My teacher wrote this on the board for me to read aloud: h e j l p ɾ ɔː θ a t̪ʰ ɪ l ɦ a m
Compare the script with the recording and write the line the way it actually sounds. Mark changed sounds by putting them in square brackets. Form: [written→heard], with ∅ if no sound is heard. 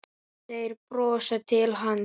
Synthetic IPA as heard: [h→θ] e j [l→ɾ] p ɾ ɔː [θ→s] a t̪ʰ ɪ l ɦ a [m→n]

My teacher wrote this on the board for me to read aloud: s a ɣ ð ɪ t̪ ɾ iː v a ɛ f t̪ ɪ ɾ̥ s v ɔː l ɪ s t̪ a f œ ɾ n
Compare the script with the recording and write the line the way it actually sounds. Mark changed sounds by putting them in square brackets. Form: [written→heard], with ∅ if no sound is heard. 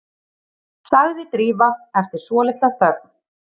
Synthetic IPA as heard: s a ɣ ð ɪ t̪ ɾ iː v a ɛ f t̪ ɪ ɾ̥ s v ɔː l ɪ [s→h] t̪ a [f→θ] œ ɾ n

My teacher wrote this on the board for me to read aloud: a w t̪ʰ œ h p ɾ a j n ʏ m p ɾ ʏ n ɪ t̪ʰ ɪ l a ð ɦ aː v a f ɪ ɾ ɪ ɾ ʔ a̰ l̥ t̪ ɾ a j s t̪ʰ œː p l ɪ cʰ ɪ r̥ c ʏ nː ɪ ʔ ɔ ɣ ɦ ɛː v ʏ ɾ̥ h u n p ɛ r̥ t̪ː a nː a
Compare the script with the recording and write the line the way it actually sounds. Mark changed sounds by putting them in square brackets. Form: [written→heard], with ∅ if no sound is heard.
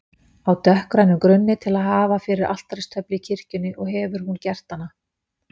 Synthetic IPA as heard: a w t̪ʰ œ h [p→k] ɾ a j n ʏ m [p→k] ɾ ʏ [n→nː] ɪ t̪ʰ ɪ l a ð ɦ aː v a f ɪ ɾ ɪ ɾ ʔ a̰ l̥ t̪ ɾ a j s t̪ʰ [œː→œ] p l ɪ cʰ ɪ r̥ c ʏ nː ɪ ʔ ɔ ɣ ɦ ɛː v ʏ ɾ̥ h u n [p→c] ɛ r̥ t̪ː a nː a

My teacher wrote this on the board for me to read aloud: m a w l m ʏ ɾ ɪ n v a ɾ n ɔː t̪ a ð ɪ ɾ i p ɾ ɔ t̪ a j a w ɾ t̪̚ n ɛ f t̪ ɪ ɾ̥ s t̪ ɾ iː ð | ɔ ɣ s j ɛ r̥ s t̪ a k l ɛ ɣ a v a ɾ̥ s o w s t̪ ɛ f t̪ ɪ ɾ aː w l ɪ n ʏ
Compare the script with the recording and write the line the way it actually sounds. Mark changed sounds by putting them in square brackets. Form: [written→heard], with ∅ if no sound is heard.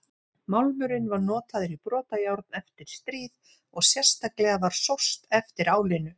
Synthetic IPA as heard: m a w l m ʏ ɾ ɪ n v a ɾ n ɔː t̪ a ð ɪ ɾ i p ɾ [ɔ→ɔː] t̪ a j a w ɾ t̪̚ n ɛ f t̪ ɪ ɾ̥ s t̪ ɾ iː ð | ɔ ɣ s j ɛ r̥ s t̪ a k l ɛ ɣ a v a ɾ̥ s o w s t̪ ɛ f t̪ ɪ ɾ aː w l ɪ n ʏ

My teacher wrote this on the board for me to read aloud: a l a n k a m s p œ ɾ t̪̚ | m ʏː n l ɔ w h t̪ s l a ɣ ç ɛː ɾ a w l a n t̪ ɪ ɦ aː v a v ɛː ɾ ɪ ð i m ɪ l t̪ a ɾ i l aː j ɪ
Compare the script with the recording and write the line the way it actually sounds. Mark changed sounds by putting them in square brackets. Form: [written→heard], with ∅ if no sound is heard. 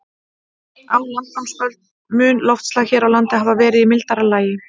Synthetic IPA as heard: a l a n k a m s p œ [ɾ→l] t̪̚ | m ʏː n l ɔ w [h→f] t̪ s l a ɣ ç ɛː ɾ a w l a n t̪ ɪ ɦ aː v a v ɛː ɾ ɪ ð i m ɪ l t̪ a ɾ [i→a] l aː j ɪ

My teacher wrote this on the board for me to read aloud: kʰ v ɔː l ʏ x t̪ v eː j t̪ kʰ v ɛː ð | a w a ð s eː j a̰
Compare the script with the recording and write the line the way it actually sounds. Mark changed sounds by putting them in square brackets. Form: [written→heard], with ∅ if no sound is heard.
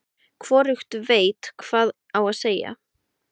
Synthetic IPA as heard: kʰ v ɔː [l→ɾ] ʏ x t̪ v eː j t̪ kʰ v [ɛː→aː] ð | a w a ð s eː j a̰

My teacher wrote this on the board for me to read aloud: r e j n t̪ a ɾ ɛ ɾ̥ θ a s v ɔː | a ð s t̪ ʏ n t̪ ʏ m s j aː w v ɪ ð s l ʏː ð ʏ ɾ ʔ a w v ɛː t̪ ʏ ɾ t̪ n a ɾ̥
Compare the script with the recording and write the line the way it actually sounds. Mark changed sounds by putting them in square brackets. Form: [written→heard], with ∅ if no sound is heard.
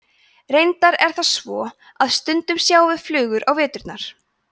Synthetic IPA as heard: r e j n t̪ a ɾ ɛ ɾ̥ θ a s v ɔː | a ð s t̪ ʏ n t̪ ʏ m s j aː w v ɪ ð [s→f] l ʏː [ð→ɣ] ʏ ɾ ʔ a w v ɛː t̪ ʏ ɾ t̪ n a ɾ̥

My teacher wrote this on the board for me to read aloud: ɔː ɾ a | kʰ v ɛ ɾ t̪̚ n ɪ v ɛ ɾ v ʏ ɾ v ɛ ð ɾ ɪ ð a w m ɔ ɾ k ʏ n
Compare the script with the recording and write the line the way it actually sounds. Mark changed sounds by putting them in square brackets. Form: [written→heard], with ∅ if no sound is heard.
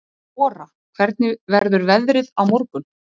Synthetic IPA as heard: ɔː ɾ a | kʰ v ɛ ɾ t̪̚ n ɪ v ɛ ɾ [v→ð] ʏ ɾ v ɛ ð ɾ ɪ ð a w m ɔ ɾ k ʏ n

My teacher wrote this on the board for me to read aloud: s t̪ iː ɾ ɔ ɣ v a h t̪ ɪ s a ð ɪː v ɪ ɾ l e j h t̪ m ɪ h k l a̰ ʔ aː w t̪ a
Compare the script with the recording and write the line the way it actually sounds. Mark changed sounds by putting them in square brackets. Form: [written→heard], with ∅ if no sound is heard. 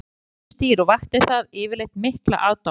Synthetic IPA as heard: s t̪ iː ɾ ɔ ɣ v a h t̪ ɪ [s→θ] a ð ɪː v ɪ ɾ l e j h t̪ m ɪ h k l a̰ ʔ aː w t̪ a

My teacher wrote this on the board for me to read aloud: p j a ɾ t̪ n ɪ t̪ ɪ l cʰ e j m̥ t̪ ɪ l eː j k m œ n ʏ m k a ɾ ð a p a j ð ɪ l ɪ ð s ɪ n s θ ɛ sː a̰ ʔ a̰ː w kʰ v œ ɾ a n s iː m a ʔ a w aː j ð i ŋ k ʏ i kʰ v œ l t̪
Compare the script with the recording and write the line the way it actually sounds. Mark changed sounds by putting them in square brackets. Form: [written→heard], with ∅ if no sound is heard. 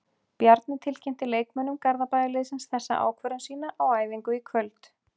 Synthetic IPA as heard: p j a ɾ t̪ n ɪ [t̪→t̪ʰ] ɪ l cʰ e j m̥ t̪ ɪ l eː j k m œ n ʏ m k a ɾ ð a p a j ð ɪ l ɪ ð s ɪ n s θ ɛ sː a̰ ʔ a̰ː w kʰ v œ ɾ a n s iː [m→n] a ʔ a w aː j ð i ŋ k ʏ i kʰ v œ l t̪

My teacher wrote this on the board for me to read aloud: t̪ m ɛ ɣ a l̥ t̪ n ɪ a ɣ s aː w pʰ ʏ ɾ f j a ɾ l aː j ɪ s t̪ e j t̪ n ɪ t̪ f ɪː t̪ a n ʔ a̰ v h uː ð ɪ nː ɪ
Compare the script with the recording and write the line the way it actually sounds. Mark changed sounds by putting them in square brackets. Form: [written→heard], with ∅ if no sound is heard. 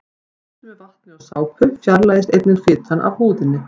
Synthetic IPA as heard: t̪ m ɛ [ɣ→v] a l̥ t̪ n ɪ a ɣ s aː w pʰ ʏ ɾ f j a ɾ l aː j ɪ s t̪ e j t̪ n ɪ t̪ f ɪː t̪ a n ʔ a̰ v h uː ð ɪ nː ɪ

